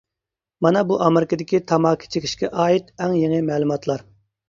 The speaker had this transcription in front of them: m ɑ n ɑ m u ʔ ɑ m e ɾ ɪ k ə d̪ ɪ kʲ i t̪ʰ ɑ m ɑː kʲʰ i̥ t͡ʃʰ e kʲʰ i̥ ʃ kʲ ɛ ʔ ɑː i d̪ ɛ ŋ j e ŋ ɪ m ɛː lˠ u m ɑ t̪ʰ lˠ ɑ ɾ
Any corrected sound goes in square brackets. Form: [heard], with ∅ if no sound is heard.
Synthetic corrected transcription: m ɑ n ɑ [b] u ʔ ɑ m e ɾ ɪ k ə d̪ ɪ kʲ i t̪ʰ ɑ m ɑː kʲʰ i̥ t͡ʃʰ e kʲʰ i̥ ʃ kʲ ɛ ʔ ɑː i [t̪] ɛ ŋ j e ŋ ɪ m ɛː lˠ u m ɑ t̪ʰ lˠ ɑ ɾ